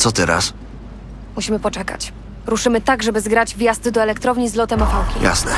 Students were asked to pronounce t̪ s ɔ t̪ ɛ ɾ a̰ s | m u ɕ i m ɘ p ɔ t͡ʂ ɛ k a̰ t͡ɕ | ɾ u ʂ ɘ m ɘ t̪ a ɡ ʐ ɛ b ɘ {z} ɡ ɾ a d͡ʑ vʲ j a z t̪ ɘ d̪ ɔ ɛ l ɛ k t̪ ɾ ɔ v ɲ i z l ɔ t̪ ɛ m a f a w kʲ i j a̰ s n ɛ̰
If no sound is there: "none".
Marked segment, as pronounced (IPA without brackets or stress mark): z